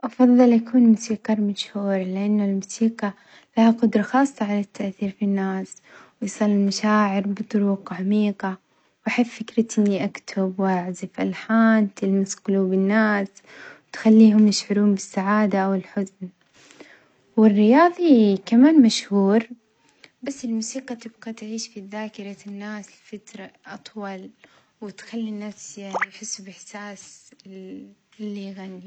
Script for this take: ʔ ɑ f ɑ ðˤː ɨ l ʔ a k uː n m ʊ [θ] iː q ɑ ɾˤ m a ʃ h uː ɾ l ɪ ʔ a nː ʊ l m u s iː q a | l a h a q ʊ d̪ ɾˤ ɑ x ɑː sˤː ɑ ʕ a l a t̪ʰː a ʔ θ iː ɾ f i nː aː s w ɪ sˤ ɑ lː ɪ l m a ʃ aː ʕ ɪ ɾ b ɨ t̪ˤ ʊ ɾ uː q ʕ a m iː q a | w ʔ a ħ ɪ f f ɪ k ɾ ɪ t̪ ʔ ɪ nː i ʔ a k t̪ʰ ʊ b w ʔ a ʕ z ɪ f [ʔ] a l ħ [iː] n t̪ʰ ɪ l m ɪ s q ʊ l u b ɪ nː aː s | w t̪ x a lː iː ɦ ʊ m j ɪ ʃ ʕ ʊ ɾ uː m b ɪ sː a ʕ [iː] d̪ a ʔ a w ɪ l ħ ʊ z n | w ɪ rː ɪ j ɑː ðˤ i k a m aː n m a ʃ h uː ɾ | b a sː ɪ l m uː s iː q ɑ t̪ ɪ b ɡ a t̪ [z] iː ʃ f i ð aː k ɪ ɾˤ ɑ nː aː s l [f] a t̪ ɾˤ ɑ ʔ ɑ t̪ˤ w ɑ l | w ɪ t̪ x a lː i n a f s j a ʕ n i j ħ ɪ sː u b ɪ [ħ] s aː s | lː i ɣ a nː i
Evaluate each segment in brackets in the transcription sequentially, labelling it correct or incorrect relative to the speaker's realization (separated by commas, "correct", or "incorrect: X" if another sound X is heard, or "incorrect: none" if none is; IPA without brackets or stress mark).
incorrect: s, correct, incorrect: aː, incorrect: aː, incorrect: ʕ, correct, correct